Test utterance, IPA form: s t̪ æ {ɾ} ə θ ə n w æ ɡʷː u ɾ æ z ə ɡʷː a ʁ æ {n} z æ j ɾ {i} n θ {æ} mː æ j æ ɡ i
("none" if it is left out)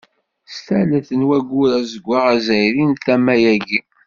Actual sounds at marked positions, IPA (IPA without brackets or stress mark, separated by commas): l, none, i, æ